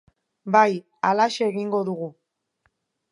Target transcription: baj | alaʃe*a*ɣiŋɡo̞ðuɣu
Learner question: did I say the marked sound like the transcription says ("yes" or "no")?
no